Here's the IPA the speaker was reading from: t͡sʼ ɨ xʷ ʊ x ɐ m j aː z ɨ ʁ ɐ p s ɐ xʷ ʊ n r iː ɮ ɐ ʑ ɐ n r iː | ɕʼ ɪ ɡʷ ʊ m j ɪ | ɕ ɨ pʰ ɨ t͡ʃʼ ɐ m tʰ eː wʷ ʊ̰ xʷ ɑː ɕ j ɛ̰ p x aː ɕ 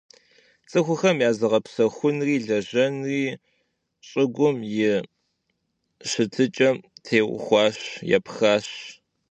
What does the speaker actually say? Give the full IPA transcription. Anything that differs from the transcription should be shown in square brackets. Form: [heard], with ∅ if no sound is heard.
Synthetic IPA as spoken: t͡sʼ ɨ xʷ ʊ x ɐ m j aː z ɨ ʁ ɐ p s ɐ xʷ ʊ n r iː ɮ ɐ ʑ ɐ n r iː | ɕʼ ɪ ɡʷ ʊ m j ɪ | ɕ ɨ [tʰ] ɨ t͡ʃʼ ɐ m tʰ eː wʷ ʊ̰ xʷ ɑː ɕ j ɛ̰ p x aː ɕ